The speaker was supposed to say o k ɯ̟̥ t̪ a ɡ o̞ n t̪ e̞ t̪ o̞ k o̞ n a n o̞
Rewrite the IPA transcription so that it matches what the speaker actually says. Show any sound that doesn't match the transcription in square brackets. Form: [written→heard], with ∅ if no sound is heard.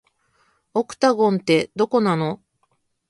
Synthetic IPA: o k ɯ̟̥ t̪ a ɡ [o̞→õ̞] n t̪ e̞ [t̪→d̪] o̞ k o̞ n a n o̞